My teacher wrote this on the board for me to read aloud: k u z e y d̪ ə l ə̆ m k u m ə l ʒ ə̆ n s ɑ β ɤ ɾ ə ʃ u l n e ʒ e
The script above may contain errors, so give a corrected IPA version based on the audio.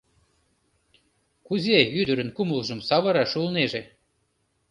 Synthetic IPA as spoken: k u z e y d̪ ə ɾ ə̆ n k u m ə l ʒ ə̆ m s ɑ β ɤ ɾ ɑ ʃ u l n e ʒ e